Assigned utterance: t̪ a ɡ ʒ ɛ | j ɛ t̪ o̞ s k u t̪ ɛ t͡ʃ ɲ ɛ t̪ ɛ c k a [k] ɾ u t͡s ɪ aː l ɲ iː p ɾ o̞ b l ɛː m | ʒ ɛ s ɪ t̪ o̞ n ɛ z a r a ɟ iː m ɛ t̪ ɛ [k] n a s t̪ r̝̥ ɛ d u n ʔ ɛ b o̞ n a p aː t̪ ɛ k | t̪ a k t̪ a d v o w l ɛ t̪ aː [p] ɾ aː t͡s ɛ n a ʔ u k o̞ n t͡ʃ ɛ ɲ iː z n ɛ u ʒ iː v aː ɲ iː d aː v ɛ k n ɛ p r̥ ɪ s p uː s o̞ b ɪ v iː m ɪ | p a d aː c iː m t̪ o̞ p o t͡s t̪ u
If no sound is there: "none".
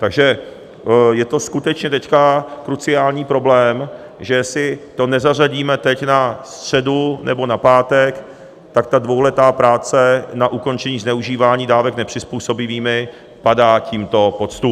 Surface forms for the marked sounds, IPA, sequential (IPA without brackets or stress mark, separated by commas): k, c, p